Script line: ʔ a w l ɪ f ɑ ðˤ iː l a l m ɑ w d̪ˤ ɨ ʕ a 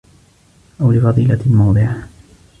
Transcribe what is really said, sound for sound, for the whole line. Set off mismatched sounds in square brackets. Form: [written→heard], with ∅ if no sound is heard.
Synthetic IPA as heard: ʔ a w l ɪ f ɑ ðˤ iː l a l m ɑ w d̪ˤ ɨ ʕ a